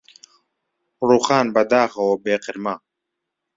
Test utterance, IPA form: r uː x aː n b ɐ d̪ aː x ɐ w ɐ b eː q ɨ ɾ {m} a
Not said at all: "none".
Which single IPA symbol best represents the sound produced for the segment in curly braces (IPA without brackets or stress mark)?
m